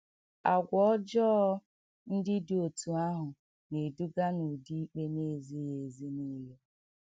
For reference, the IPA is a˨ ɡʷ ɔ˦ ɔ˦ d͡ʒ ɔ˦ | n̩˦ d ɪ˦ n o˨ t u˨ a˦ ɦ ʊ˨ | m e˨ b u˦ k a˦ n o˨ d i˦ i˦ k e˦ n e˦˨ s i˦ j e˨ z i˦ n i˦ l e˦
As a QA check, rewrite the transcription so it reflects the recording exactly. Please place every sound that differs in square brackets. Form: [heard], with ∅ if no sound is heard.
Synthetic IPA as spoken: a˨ ɡʷ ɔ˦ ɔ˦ d͡ʒ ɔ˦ | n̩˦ d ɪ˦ [d] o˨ t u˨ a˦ ɦ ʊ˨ | [n] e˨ [d] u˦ [ɡ] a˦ n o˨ d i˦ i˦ [k͡p] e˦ n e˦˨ [z] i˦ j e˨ z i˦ n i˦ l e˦